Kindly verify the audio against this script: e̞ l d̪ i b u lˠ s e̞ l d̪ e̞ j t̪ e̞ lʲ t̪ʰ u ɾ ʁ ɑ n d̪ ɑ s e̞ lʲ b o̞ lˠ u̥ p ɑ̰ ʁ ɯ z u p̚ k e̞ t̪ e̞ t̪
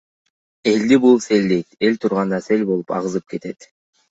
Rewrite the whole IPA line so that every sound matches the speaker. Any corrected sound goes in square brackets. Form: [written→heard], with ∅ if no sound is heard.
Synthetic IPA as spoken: e̞ l d̪ i b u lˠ s e̞ l d̪ e̞ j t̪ e̞ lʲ t̪ʰ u ɾ ʁ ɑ n d̪ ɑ s e̞ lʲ b o̞ lˠ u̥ p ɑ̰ ʁ ɯ z [u→ɯ] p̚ k e̞ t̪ e̞ t̪